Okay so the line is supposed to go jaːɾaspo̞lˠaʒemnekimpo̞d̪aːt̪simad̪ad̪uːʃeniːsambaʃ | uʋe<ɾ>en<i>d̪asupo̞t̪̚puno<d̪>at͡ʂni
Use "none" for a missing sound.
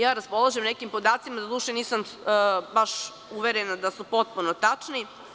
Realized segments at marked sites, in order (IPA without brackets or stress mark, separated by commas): ɾ, a, t̪